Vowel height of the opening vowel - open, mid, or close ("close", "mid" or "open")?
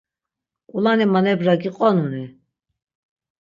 close